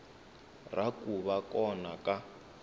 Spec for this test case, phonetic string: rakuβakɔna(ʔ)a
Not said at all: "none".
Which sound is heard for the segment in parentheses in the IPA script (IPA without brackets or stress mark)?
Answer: k